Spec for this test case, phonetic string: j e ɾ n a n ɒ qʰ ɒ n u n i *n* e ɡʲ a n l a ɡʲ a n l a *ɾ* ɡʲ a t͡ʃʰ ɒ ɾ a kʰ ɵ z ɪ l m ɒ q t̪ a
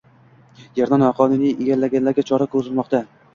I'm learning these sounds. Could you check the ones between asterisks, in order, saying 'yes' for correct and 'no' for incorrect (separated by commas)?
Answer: no, yes